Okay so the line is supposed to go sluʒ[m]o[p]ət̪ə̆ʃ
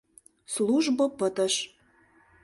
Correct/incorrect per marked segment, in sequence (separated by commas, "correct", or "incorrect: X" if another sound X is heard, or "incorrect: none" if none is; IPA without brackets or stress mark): incorrect: b, correct